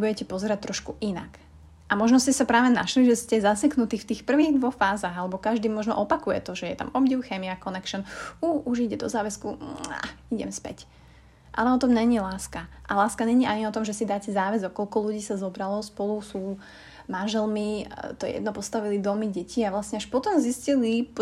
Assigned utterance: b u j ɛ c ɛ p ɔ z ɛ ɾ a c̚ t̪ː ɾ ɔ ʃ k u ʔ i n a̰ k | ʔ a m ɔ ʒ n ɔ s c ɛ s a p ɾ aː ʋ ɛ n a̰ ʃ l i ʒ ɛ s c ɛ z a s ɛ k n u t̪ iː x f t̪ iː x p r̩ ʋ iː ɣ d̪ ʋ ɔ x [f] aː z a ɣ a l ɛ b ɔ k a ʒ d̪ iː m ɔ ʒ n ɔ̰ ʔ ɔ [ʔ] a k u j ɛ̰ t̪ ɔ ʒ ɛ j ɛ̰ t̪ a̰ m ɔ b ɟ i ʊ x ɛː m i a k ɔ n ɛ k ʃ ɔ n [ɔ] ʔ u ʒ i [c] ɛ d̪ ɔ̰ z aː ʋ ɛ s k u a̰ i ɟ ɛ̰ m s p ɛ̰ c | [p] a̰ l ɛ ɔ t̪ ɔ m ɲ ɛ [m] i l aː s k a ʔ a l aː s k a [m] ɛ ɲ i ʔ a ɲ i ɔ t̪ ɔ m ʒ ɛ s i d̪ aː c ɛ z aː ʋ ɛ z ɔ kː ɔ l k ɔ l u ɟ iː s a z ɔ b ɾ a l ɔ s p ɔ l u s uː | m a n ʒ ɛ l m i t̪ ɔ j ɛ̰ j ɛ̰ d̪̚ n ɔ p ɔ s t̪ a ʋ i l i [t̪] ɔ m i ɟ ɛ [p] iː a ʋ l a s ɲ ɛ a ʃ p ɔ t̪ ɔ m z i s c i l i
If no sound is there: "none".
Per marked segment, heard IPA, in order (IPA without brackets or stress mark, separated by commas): f, p, u, ɟ, ʔ, ɲ, ɲ, d̪, c